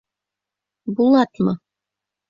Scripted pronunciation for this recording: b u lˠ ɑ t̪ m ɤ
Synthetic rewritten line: b u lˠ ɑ t̪ m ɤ

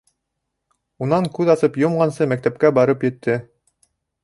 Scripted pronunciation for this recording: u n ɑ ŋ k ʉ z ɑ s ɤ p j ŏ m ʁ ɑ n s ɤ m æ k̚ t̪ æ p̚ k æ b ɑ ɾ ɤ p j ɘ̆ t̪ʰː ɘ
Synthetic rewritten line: u n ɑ ŋ k ʉ ð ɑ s ɤ p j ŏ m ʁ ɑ n s ɤ m æ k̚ t̪ æ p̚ k æ b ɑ ɾ ɤ p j ɘ̆ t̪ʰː ɘ

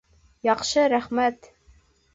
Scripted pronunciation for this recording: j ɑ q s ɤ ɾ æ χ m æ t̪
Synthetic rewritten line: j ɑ q ʃ ɤ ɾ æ χ m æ t̪

